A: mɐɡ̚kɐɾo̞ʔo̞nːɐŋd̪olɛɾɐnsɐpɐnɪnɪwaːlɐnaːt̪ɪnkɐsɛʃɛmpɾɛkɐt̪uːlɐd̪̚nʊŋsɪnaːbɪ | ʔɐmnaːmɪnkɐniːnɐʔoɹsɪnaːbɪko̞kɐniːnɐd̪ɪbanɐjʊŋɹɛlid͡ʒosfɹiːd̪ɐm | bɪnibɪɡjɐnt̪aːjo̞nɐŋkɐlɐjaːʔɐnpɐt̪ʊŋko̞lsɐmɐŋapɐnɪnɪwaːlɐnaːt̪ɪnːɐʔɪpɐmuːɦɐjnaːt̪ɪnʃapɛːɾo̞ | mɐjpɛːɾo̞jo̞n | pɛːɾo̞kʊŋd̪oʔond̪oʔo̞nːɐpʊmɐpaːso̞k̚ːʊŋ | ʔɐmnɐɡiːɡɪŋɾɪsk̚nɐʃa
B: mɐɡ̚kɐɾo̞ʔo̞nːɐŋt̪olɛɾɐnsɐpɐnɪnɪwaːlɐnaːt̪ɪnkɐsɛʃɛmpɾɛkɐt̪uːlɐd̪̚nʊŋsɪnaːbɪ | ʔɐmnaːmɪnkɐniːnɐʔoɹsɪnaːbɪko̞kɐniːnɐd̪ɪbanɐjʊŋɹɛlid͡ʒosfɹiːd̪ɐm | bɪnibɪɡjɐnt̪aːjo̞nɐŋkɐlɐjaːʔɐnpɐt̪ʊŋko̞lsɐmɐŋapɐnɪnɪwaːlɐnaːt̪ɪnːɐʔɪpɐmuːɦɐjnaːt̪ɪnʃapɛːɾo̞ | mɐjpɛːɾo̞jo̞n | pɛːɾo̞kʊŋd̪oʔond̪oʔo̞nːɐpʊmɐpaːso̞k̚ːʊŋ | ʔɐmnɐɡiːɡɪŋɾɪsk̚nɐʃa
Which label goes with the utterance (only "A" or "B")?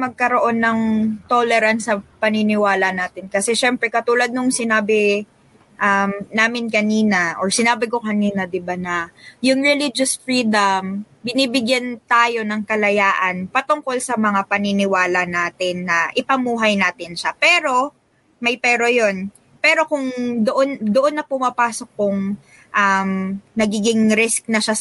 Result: B